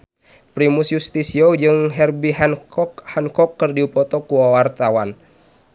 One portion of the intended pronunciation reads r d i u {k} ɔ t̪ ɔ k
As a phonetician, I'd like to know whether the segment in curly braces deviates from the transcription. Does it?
yes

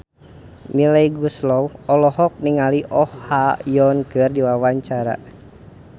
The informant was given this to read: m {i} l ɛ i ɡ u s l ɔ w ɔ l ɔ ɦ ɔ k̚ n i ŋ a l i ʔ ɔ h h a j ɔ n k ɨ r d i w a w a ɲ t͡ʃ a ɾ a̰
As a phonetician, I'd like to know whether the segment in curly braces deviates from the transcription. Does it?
no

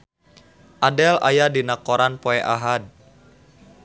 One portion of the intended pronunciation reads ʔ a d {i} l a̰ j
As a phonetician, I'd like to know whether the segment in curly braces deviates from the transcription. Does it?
yes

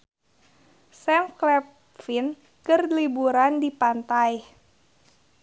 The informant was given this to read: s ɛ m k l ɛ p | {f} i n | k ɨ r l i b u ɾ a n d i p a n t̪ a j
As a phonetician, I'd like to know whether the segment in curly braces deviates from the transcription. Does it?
no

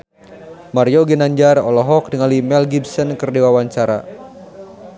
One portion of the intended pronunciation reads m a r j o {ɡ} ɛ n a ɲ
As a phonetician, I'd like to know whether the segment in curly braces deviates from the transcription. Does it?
no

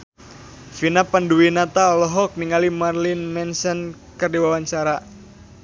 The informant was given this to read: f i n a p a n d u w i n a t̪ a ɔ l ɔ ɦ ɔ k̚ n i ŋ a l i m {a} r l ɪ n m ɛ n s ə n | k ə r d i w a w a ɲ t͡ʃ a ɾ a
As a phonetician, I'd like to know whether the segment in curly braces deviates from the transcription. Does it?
no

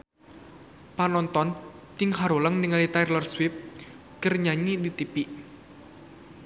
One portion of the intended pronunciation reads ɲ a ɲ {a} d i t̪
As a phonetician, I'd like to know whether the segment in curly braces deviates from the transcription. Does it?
yes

